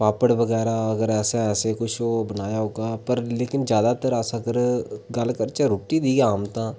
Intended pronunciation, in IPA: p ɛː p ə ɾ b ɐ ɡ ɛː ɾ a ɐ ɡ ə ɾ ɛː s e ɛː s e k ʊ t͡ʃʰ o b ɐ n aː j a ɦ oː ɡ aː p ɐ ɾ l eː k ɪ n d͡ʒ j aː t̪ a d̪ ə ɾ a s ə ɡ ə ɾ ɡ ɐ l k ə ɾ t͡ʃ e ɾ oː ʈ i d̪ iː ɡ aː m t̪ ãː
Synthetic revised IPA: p aː p ə ɽ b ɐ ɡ ɛː ɾ a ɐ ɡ ə ɾ ɛː s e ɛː s e k ʊ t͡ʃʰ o b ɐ n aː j a ɦ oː ɡ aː p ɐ ɾ l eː k ɪ n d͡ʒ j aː d̪ a t̪ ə ɾ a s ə ɡ ə ɾ ɡ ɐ l k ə ɾ t͡ʃ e ɾ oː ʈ i d̪ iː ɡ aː m t̪ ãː

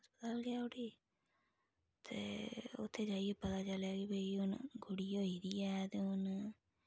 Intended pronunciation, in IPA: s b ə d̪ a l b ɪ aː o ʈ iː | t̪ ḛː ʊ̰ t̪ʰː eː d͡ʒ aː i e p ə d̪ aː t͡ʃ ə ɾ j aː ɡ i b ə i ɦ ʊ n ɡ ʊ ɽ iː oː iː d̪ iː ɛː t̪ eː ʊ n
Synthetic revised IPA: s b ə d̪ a l ɡ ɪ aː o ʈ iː | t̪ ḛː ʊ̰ t̪ʰː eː d͡ʒ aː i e p ə t̪ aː t͡ʃ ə l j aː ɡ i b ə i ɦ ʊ n ɡ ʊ ɽ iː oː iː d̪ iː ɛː t̪ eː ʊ n

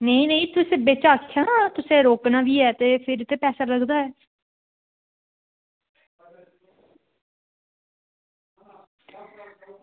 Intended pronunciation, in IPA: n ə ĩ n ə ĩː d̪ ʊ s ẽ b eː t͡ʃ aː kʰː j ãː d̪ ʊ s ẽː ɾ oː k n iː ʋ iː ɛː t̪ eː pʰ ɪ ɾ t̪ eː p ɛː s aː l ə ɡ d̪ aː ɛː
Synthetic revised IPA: n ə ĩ n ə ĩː t̪ ʊ s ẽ b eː t͡ʃ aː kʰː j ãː t̪ ʊ s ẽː ɾ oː k n aː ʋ iː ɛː t̪ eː pʰ ɪ ɾ t̪ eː p ɛː s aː l ə ɡ d̪ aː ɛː

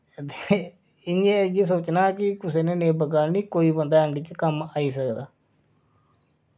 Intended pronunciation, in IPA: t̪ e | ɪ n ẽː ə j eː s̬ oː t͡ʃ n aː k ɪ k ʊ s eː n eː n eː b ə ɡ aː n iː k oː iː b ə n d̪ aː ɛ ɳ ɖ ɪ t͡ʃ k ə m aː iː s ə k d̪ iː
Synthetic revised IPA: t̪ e | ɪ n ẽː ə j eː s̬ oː t͡ʃ n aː k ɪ k ʊ s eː n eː n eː b ə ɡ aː n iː k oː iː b ə n d̪ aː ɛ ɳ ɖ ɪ t͡ʃ k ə m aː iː s ə k d̪ aː

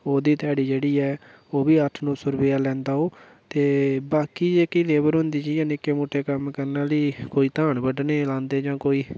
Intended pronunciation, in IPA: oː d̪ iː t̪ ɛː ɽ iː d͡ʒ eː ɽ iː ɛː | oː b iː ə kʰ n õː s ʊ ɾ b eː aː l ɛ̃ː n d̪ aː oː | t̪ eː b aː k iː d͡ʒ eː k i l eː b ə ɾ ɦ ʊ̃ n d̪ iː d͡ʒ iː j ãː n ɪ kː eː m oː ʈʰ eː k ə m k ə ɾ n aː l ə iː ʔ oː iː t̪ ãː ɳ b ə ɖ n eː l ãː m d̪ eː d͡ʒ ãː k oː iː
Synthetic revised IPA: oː d̪ iː t̪ ɛː ɽ iː d͡ʒ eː ɽ iː ɛː | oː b iː ə ʈʰ n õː s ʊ ɾ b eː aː l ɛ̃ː n d̪ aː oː | t̪ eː b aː k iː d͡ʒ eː k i l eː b ə ɾ ɦ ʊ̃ n d̪ iː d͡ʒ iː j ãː n ɪ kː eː m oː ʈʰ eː k ə m k ə ɾ n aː l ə iː k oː iː t̪ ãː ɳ b ə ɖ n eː l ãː n d̪ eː d͡ʒ ãː k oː iː

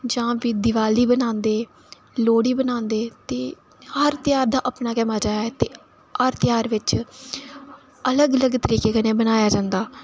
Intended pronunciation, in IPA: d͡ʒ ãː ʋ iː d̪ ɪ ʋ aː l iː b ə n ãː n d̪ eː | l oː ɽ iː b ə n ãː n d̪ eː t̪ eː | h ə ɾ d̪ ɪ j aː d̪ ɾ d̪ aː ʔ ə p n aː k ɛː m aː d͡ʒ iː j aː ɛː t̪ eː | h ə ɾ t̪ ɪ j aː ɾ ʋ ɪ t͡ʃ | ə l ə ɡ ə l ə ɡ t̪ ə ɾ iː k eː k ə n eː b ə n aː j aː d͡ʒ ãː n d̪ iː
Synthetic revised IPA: d͡ʒ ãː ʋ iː d̪ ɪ ʋ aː l iː b ə n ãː n d̪ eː | l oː ɽ iː b ə n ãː n d̪ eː t̪ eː | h ə ɾ t̪ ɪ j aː ɾ d̪ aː ʔ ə p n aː k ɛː m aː d͡ʒ aː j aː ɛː t̪ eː | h ə ɾ t̪ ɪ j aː ɾ ʋ ɪ t͡ʃ | ə l ə ɡ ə l ə ɡ t̪ ə ɾ iː k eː k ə n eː b ə n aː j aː d͡ʒ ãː n d̪ aː

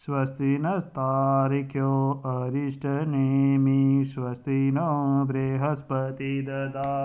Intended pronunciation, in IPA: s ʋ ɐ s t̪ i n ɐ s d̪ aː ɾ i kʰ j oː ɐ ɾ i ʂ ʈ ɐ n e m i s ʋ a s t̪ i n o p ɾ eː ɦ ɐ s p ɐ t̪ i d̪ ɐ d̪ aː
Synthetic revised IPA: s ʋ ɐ s t̪ i n ɐ s t̪ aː ɾ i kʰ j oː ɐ ɾ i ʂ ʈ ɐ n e m i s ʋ ɐ s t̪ i n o b ɾ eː ɦ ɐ s p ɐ t̪ i d̪ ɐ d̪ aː

